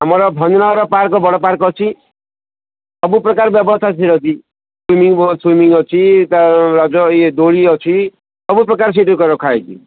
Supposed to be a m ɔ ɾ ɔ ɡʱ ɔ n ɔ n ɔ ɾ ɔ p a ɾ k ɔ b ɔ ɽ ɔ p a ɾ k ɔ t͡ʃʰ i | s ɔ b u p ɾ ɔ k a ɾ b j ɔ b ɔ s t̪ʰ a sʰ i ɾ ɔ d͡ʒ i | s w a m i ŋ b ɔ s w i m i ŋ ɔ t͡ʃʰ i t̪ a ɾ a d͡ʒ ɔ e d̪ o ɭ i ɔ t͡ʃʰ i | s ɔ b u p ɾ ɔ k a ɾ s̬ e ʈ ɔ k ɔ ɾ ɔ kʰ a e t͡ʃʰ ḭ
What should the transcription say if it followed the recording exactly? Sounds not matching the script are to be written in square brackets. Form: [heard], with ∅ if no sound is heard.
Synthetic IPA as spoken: a m ɔ ɾ ɔ [bʱ] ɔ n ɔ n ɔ ɾ ɔ p a ɾ k ɔ b ɔ ɽ ɔ p a ɾ k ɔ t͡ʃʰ i | s ɔ b u p ɾ ɔ k a ɾ b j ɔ b ɔ s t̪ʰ a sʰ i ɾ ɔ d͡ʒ i | s w [i] m i ŋ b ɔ s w i m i ŋ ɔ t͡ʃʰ i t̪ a ɾ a d͡ʒ ɔ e d̪ o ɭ i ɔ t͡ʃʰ i | s ɔ b u p ɾ ɔ k a ɾ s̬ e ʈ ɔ k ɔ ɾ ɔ kʰ a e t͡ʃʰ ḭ